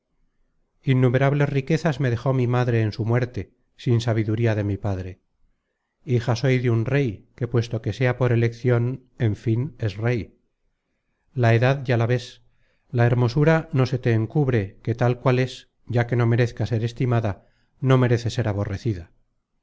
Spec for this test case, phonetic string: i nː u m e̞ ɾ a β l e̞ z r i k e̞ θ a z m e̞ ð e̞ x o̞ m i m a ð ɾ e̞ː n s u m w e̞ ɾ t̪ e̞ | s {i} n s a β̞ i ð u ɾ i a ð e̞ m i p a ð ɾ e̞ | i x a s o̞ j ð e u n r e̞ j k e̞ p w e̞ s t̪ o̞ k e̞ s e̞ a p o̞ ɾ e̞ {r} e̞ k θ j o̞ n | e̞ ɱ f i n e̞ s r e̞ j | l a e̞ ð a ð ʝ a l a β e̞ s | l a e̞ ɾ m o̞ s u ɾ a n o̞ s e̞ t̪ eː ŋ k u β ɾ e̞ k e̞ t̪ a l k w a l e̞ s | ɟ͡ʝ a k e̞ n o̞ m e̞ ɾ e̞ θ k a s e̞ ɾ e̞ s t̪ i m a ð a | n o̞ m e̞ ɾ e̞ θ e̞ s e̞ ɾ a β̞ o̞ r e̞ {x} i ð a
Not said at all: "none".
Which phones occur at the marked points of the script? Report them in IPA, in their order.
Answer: i, l, θ

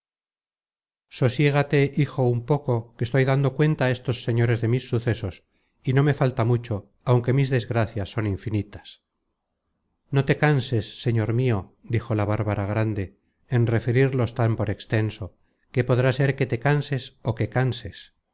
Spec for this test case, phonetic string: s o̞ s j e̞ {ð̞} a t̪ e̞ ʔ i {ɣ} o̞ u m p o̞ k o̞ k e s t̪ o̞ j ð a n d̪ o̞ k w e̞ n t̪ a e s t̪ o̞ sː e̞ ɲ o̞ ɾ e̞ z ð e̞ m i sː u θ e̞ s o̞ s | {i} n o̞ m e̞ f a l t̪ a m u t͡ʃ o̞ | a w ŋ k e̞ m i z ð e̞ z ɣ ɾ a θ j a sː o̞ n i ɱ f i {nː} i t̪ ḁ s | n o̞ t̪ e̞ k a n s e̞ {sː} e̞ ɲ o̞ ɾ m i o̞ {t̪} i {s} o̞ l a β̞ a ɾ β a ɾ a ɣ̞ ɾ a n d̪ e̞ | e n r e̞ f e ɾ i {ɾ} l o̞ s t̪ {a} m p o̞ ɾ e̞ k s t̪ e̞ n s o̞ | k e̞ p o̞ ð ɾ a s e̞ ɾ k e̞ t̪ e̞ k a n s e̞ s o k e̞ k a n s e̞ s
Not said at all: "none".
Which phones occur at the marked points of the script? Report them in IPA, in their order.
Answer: ɣ̞, x, i, n, sː, d̪, x, ɾ, a

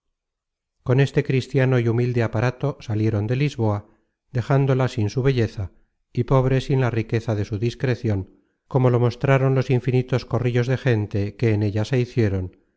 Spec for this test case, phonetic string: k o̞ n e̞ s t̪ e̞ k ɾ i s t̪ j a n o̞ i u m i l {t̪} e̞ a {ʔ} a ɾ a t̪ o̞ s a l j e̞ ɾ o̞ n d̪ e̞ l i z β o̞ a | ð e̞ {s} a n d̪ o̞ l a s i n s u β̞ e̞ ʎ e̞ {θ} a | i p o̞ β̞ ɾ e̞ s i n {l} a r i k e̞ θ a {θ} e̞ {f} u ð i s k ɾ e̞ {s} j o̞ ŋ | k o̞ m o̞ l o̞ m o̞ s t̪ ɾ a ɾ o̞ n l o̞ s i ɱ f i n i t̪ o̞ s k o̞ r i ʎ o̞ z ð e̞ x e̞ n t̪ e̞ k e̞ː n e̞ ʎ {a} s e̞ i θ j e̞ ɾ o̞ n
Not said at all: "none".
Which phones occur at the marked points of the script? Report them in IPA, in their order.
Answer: d̪, p, x, θ, l, ð, s, θ, a

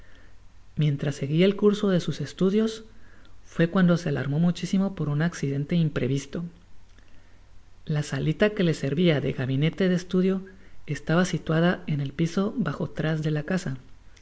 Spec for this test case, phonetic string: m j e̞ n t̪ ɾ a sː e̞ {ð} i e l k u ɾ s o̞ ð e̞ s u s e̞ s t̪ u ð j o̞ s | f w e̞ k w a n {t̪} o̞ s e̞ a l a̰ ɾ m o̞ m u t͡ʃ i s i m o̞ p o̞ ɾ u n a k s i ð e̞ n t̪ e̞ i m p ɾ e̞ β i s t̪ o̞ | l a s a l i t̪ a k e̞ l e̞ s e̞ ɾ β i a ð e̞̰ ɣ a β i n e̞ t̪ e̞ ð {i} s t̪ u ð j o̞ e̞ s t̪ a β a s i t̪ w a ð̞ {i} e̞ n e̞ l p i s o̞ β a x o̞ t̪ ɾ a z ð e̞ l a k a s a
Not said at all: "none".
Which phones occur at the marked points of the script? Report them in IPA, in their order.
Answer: ɣ, d̪, e, a

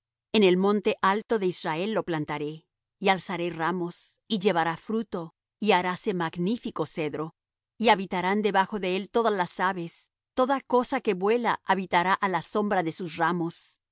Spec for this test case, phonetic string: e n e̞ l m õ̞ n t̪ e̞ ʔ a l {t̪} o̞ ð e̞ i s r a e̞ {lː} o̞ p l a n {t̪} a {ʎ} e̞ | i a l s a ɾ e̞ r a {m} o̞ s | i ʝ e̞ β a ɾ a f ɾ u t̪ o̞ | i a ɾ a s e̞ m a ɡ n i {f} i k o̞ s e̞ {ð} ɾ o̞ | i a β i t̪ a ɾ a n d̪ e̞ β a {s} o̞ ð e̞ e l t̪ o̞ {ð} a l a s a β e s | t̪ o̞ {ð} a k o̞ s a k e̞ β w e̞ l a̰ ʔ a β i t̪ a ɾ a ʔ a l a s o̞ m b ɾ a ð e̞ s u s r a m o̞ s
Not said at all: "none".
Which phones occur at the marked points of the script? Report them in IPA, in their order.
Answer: t̪, lː, t̪, ɾ, m, f, ð, x, ð, ð

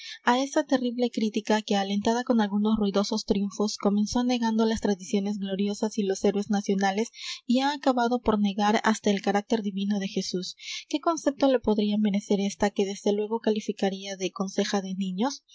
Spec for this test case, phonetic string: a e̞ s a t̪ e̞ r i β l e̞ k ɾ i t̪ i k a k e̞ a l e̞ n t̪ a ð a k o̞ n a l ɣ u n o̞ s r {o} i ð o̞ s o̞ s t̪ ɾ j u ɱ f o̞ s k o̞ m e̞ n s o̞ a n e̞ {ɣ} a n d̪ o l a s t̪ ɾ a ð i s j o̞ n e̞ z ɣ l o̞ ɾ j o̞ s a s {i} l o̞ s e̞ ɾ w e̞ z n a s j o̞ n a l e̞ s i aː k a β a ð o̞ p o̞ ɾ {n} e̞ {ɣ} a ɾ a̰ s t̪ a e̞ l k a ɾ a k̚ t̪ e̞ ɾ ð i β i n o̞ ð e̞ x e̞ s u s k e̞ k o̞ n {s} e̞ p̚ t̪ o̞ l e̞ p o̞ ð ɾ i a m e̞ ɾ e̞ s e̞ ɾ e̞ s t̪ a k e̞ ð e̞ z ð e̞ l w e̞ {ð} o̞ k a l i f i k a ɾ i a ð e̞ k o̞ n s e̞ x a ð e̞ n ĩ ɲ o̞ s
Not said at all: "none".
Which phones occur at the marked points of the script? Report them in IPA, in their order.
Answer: u, ɣ, i, n, ɣ, s, ɣ

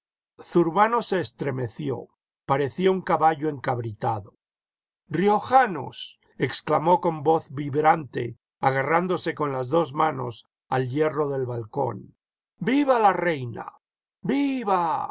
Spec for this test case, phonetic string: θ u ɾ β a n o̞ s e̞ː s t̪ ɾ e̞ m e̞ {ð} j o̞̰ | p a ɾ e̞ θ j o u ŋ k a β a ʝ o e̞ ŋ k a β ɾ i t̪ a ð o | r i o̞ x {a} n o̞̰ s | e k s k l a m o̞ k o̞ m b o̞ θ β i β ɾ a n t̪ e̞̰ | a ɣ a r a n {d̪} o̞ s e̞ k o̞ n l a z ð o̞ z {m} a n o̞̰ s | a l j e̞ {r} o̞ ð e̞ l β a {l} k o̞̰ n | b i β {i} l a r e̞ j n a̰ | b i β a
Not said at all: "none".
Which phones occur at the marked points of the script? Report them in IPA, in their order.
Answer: θ, a, d̪, m, r, l, a

